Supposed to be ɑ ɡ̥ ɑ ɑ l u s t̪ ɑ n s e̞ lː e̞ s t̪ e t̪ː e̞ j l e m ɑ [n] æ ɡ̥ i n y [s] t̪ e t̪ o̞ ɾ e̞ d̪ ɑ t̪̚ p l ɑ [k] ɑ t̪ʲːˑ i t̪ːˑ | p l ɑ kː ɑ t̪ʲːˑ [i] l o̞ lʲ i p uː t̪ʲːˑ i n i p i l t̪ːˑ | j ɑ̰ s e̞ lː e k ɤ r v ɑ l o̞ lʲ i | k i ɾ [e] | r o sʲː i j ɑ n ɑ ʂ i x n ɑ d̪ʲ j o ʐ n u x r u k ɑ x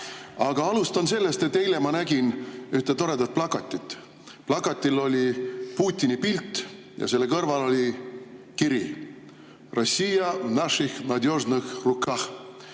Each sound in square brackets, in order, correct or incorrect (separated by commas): correct, incorrect, correct, correct, incorrect